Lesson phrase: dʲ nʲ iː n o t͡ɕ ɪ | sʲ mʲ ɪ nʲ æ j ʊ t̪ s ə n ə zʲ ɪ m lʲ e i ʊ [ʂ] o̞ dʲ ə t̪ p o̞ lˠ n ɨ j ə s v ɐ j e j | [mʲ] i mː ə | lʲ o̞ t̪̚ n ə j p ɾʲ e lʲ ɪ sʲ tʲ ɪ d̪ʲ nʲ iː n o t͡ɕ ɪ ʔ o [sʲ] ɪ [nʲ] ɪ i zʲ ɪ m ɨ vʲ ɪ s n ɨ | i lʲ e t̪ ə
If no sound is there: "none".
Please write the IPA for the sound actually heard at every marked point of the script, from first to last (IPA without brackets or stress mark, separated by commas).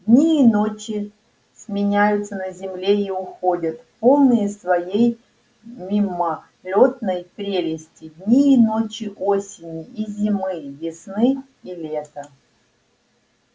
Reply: x, mʲ, sʲ, nʲ